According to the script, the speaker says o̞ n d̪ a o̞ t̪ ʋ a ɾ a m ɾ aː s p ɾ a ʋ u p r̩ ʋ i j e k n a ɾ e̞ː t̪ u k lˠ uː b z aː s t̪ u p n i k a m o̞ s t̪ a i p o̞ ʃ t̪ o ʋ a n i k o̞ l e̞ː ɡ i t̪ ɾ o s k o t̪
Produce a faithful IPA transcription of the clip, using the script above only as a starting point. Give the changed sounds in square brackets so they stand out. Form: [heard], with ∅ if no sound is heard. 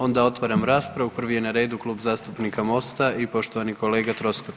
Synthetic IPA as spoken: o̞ n d̪ a o̞ t̪ ʋ a ɾ a m ɾ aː s p ɾ a ʋ u p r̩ ʋ i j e [∅] n a ɾ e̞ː [d̪] u k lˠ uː b z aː s t̪ u p n i k a m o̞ s t̪ a i p o̞ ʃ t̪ o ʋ a n i k o̞ l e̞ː ɡ [a] t̪ ɾ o s k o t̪